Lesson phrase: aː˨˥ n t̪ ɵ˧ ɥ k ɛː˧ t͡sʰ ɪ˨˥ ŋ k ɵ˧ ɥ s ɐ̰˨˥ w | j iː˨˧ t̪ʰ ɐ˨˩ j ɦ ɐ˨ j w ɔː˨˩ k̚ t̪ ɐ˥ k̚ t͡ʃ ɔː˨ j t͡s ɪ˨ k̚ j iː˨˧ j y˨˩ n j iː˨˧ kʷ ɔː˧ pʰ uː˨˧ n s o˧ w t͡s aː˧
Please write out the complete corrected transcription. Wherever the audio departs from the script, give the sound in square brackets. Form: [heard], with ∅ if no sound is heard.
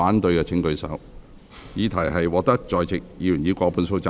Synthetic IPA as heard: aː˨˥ n t̪ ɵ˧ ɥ k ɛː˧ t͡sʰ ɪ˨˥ ŋ k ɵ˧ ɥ s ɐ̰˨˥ w | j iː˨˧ t̪ʰ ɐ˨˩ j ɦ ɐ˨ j w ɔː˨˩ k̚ t̪ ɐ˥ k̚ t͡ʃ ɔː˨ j t͡s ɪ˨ k̚ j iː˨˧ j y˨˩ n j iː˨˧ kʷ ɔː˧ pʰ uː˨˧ n s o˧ w t͡s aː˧